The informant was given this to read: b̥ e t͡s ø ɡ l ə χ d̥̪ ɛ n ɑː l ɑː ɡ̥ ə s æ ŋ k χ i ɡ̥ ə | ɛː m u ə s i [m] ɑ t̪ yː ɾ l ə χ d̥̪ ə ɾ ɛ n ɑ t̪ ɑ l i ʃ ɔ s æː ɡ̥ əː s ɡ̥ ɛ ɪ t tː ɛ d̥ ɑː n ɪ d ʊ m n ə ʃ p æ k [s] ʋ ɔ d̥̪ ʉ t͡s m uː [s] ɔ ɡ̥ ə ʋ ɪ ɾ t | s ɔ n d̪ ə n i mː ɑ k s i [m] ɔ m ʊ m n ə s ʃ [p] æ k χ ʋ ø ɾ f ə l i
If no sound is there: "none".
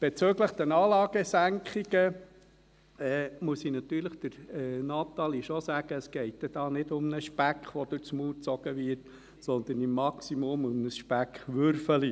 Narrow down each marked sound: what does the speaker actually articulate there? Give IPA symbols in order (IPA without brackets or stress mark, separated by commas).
n, χ, t͡s, m, p